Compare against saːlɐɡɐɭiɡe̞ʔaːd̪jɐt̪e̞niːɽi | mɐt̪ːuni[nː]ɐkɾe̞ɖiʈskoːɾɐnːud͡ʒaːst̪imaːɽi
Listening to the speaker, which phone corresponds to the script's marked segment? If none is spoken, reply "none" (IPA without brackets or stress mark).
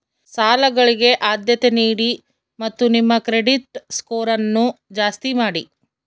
mː